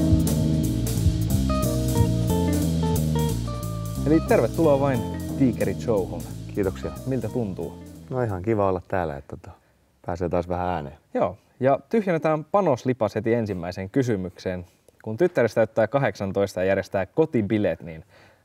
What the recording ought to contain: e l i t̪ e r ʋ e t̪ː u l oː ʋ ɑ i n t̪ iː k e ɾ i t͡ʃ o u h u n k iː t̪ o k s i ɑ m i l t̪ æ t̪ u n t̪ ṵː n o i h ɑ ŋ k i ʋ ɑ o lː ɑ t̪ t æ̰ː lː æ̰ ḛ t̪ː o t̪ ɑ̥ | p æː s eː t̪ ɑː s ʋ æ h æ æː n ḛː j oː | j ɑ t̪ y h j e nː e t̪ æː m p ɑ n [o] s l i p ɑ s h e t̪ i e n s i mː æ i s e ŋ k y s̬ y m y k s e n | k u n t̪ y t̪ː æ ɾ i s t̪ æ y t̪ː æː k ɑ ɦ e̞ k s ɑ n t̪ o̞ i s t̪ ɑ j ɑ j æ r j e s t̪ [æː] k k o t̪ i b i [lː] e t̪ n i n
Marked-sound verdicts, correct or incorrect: correct, correct, incorrect

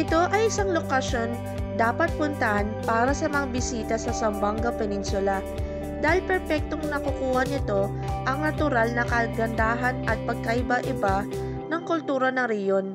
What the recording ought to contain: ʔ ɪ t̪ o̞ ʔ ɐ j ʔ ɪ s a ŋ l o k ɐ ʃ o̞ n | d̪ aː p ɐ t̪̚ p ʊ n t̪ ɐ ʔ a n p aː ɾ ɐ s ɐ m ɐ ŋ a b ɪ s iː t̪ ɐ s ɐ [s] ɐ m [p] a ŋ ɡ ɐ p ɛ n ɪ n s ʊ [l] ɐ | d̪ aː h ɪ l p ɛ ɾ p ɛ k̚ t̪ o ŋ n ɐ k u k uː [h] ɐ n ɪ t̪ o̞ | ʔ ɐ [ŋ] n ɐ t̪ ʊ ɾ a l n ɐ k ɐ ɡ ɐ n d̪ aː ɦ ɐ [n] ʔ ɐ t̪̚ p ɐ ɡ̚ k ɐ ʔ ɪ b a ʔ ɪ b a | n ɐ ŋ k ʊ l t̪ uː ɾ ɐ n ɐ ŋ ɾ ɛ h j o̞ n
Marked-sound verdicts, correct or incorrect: correct, incorrect, correct, correct, correct, correct

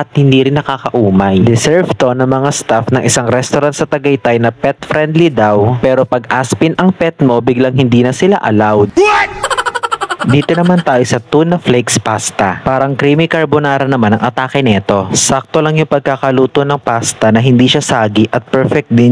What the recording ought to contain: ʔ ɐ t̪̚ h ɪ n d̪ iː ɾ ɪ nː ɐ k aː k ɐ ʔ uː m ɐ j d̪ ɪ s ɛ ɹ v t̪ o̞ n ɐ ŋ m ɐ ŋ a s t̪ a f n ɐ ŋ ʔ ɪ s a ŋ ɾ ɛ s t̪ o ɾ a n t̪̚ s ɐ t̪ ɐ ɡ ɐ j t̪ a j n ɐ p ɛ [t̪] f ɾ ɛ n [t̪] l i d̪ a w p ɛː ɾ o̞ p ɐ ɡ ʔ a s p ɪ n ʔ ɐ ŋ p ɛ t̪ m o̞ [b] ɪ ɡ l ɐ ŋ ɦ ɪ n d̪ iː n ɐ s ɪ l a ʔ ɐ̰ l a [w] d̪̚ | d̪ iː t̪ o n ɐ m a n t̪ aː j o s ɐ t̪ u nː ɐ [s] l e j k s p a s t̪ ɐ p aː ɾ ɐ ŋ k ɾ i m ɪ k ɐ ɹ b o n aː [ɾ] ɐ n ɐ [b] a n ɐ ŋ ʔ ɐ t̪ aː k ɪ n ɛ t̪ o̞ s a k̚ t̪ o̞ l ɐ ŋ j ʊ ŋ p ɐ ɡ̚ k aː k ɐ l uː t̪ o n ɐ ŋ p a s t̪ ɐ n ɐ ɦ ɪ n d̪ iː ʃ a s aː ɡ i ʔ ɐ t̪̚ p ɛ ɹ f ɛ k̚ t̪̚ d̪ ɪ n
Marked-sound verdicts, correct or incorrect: correct, incorrect, correct, correct, incorrect, correct, incorrect

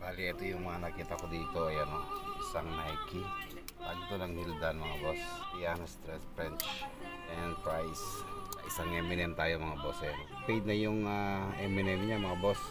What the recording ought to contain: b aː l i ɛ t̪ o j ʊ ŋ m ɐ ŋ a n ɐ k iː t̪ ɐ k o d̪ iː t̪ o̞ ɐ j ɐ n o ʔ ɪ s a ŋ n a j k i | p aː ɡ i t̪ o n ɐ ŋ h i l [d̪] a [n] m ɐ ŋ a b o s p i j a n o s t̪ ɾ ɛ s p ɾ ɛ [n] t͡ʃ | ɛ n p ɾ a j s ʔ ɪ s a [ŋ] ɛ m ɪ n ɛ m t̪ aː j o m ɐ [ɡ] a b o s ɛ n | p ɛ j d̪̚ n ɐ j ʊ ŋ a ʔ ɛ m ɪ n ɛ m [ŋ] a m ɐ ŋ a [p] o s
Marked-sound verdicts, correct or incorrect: correct, correct, correct, correct, incorrect, incorrect, incorrect

